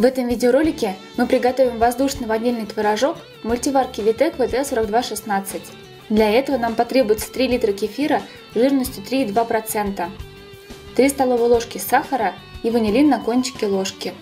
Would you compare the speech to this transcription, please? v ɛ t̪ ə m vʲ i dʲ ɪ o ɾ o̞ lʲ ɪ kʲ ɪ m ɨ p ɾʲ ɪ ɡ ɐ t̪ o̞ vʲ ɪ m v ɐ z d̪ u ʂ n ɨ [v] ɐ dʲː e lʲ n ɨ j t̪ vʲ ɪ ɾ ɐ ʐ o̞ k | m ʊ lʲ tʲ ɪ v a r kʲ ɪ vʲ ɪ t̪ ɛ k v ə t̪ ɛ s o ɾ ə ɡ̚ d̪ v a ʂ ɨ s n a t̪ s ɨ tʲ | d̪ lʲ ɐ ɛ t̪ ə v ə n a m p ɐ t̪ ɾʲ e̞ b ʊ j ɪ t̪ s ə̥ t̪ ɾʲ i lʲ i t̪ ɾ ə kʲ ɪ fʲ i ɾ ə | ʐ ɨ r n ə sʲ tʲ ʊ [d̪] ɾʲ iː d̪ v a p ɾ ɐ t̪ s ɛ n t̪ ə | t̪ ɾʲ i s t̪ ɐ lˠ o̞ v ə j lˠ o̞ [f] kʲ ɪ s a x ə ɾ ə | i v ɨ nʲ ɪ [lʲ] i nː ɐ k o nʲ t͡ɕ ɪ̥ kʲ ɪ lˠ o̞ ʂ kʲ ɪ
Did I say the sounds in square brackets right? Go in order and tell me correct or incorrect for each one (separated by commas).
correct, incorrect, incorrect, correct